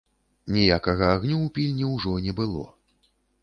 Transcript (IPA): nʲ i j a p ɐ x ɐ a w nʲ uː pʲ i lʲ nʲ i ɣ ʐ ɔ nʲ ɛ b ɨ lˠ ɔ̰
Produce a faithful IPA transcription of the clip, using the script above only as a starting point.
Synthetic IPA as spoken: nʲ i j a k ɐ ɣ ɐ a ɣ nʲ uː pʲ i lʲ nʲ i w ʐ ɔ nʲ ɛ b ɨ lˠ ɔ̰